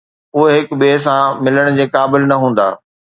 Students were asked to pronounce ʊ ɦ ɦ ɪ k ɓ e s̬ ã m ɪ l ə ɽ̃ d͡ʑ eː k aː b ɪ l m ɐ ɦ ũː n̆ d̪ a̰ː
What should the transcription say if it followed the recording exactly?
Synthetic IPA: ʊ ɦ ɦ ɪ k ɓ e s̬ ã m ɪ l ə ɽ̃ d͡ʑ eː k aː b ɪ l n ɐ ɦ ũː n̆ d̪ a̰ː

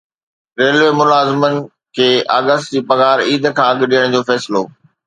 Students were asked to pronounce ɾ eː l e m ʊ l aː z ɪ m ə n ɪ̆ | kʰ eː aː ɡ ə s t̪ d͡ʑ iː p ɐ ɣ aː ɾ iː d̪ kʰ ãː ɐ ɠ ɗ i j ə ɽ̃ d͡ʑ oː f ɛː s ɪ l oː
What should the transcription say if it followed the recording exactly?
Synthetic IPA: ɾ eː l e m ʊ l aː z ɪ m ə n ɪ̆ | kʰ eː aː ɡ ə s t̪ d͡ʑ iː p ɐ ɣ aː ɾ iː d̪ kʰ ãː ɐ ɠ ɗ i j ə ɽ̃ d͡ʑ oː f ɛː s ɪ l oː

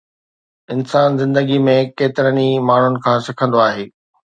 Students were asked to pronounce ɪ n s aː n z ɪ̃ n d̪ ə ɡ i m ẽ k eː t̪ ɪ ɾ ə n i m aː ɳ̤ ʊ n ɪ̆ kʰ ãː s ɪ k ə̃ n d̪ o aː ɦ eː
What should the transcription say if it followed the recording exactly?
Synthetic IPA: ɪ n s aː n z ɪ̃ n d̪ ə ɡ i m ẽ k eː t̪ ɪ ɾ ə n i m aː ɳ̤ ʊ n ɪ̆ kʰ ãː s ɪ kʰ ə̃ n d̪ o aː ɦ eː

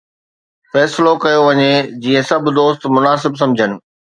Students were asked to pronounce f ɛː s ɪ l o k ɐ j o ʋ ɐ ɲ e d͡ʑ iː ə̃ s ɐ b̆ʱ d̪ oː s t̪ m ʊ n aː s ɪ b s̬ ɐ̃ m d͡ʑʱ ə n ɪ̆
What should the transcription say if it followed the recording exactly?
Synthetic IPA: f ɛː s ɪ l o k ɐ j o ʋ ɐ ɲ e d͡ʑ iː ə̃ s ɐ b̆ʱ d̪ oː s t̪ m ʊ n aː s ɪ b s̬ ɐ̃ m d͡ʑʱ ə n ɪ̆

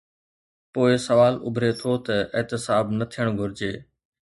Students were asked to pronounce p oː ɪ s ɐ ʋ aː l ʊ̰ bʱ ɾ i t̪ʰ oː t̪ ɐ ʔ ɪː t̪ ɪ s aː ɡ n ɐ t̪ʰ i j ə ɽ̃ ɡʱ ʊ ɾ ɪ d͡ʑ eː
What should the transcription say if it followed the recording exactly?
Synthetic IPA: p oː ɪ s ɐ ʋ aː l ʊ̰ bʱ ɾ e t̪ʰ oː t̪ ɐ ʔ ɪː t̪ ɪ s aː b n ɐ t̪ʰ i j ə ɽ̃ ɡʱ ʊ ɾ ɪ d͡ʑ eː

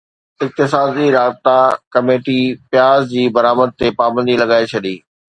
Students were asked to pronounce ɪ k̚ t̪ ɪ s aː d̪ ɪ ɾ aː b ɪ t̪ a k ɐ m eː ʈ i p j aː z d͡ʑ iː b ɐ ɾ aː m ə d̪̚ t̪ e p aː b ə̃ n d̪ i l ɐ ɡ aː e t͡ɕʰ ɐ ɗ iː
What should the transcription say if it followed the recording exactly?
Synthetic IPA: ɪ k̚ t̪ ɪ s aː d̪ i ɾ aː b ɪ t̪ a k ɐ m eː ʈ i p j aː z d͡ʑ iː b ɐ ɾ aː m ə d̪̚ t̪ e p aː b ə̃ n d̪ i l ɐ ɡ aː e t͡ɕʰ ɐ ɗ iː

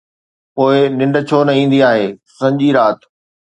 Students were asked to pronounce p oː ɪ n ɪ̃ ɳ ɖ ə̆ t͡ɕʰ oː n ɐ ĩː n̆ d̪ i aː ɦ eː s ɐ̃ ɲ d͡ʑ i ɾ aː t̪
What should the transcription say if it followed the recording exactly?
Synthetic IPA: p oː ɪ n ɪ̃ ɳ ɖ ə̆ t͡ɕʰ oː n ɐ ĩː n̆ d̪ i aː ɦ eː s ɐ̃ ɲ d͡ʑ i ɾ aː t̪

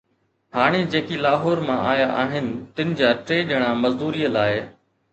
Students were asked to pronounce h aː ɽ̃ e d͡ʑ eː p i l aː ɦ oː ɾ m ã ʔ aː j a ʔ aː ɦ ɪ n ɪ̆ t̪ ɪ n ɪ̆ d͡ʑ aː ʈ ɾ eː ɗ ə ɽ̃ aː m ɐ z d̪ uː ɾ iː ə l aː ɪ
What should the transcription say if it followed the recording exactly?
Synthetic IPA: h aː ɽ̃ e d͡ʑ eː k i l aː ɦ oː ɾ m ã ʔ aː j a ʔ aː ɦ ɪ n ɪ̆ t̪ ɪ n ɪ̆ d͡ʑ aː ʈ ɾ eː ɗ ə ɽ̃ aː m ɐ z d̪ uː ɾ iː ə l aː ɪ

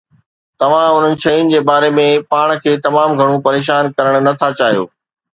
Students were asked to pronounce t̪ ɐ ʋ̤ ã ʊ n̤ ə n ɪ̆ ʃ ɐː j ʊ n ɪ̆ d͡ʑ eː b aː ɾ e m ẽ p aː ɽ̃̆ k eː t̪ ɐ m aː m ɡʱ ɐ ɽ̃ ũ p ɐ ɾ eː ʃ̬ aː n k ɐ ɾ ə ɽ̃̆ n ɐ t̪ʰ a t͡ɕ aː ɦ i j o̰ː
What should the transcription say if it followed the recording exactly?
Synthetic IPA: t̪ ɐ ʋ̤ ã ʊ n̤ ə n ɪ̆ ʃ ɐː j ʊ n ɪ̆ d͡ʑ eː b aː ɾ e m ẽ p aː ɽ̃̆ kʰ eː t̪ ɐ m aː m ɡʱ ɐ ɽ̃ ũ p ɐ ɾ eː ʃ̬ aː n k ɐ ɾ ə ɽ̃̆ n ɐ t̪ʰ a t͡ɕ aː ɦ i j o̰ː

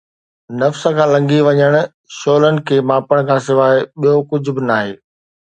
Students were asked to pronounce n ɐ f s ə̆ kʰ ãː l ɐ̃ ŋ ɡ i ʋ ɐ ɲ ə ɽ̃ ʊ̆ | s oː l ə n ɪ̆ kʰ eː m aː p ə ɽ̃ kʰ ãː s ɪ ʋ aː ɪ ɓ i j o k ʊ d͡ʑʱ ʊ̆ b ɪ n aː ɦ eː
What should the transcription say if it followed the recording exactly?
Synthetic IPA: n ɐ f s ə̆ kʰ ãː l ɐ̃ ŋ ɡ i ʋ ɐ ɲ ə ɽ̃ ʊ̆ | ʃ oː l ə n ɪ̆ kʰ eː m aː p ə ɽ̃ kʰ ãː s ɪ ʋ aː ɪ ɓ i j o k ʊ d͡ʑʱ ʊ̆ b ɪ n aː ɦ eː

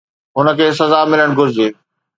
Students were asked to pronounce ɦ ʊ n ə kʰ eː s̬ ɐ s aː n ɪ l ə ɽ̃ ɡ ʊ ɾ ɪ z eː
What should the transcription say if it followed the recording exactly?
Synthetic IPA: ɦ ʊ n ə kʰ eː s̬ ɐ z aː m ɪ l ə ɽ̃ ɡ ʊ ɾ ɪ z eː

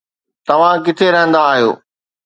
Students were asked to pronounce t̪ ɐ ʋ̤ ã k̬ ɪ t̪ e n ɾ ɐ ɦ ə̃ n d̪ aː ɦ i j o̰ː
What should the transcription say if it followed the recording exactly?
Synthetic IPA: t̪ ɐ ʋ̤ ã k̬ ɪ t̪ʰ e ɾ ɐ ɦ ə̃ n d̪ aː ɦ i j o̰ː

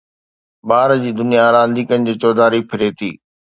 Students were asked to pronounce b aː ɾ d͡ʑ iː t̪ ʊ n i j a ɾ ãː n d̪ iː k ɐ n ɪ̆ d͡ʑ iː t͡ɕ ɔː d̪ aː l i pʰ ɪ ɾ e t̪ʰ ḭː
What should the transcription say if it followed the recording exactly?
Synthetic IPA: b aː ɾ d͡ʑ iː d̪ ʊ n i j a ɾ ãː n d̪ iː k ə n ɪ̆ d͡ʑ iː t͡ɕ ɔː d̪ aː ɾ i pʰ ɪ ɾ e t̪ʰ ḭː

